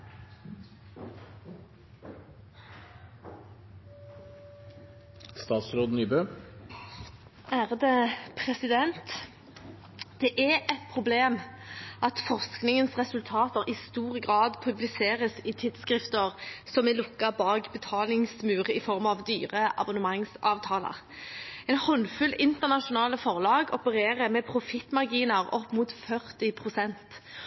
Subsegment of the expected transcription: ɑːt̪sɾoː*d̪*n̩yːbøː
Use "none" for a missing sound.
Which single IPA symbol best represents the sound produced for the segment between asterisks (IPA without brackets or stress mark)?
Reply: d̪